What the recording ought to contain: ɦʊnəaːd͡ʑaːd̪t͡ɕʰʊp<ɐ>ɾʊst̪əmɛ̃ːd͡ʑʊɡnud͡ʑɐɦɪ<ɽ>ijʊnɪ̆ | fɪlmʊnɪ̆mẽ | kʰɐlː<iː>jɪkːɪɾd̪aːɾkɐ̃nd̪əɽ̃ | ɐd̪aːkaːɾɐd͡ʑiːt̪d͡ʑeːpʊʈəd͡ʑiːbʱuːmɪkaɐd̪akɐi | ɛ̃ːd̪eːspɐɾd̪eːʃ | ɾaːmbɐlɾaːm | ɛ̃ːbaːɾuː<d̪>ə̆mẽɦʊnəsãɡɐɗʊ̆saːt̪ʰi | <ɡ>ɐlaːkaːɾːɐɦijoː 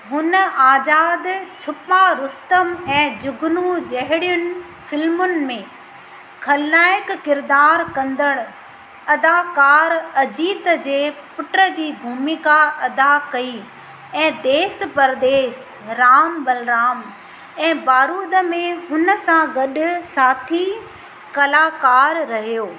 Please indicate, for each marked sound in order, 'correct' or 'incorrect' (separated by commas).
incorrect, correct, incorrect, correct, incorrect